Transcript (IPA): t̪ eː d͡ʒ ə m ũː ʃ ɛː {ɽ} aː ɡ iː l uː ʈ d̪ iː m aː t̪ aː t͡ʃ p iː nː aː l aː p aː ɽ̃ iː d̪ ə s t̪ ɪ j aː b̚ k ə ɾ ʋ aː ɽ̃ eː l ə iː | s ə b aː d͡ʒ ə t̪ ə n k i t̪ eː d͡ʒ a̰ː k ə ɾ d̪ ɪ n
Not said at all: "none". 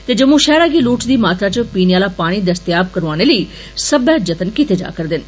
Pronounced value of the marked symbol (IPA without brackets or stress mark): ɾ